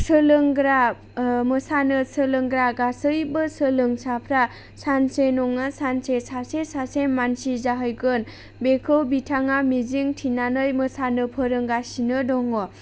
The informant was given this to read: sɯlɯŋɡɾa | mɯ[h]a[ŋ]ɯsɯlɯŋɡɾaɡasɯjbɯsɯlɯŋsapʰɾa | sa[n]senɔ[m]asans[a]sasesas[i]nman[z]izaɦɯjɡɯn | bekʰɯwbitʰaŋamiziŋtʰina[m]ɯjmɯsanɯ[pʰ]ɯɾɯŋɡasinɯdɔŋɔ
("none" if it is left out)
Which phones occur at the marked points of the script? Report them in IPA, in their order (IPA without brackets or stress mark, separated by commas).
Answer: s, n, n, ŋ, e, e, s, n, pʰ